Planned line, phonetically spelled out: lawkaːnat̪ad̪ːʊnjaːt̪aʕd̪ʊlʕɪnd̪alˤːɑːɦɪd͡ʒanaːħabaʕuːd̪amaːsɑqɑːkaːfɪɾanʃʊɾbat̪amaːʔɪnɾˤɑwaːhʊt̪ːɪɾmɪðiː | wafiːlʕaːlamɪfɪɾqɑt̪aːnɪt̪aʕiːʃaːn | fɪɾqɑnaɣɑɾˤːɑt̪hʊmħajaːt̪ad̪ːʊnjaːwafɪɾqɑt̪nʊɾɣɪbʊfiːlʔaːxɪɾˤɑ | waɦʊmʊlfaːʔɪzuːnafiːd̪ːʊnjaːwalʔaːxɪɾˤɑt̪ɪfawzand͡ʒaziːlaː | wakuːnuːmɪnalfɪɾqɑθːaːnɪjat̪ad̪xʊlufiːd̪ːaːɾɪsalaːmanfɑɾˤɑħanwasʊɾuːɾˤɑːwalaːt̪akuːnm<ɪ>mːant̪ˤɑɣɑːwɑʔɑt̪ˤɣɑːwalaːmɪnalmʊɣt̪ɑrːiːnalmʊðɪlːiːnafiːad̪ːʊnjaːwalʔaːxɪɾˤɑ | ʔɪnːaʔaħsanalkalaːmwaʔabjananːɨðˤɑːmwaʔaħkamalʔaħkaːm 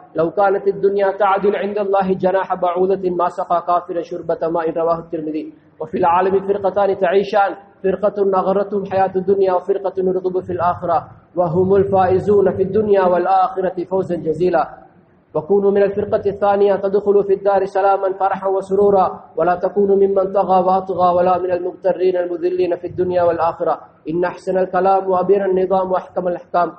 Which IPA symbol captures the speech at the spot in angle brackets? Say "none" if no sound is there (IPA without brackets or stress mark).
ɪ